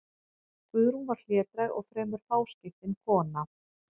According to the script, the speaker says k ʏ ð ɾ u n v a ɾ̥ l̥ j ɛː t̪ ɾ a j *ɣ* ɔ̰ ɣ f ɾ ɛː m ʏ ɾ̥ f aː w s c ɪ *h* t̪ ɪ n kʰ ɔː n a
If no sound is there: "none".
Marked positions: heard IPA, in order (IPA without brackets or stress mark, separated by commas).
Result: ɣ, f